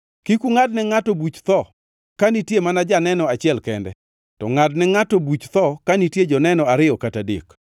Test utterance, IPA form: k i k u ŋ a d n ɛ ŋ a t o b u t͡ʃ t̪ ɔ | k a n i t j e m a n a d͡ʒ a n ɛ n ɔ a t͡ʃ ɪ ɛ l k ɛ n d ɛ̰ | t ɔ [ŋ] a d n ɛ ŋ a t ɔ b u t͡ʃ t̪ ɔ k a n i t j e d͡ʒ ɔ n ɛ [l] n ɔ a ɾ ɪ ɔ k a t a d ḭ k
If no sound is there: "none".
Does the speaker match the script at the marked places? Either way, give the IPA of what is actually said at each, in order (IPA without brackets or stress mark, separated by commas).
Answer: ŋ, none